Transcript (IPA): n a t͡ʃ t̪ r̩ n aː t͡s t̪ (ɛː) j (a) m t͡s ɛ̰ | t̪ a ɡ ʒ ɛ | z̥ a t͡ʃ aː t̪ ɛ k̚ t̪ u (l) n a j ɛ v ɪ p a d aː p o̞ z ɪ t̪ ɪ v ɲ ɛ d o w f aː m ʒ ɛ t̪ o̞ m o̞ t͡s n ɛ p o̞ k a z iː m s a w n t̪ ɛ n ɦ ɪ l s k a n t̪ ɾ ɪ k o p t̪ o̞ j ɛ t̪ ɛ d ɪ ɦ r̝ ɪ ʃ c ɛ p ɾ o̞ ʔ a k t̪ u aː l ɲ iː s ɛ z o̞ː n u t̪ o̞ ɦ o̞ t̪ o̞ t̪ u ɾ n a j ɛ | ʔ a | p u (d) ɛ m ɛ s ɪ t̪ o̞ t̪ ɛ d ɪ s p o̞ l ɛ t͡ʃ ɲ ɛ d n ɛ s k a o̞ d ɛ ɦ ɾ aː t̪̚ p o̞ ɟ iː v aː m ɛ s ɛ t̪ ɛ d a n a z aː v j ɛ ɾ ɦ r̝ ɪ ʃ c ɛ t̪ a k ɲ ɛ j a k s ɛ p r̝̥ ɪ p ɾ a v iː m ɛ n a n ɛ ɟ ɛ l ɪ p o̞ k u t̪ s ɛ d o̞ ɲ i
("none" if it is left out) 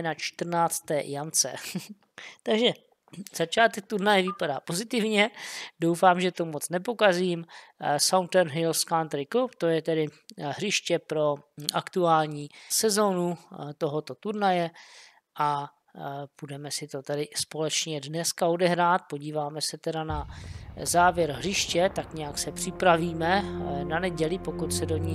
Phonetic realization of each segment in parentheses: ɛː, a, ɾ, d

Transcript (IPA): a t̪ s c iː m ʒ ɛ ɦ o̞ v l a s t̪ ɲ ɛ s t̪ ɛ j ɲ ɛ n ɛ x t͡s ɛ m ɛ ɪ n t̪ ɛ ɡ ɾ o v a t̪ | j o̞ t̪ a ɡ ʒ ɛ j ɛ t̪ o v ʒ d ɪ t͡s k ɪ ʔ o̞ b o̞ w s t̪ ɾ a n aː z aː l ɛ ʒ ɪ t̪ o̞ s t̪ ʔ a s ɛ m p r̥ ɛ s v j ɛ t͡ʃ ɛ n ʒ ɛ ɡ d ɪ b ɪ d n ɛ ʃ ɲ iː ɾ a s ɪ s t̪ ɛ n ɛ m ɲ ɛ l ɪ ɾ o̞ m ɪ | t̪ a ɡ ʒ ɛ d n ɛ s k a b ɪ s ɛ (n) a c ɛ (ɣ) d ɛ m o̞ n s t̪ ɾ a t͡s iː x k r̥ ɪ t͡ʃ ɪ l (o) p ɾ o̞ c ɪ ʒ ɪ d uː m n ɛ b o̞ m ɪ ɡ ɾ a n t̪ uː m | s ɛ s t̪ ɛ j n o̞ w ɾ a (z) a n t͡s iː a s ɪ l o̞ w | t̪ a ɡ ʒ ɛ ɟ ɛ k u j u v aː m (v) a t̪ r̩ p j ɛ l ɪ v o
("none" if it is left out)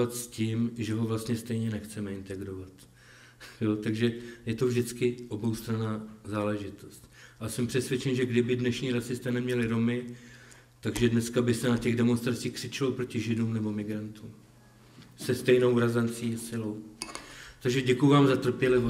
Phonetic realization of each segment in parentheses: n, ɣ, o, z, z

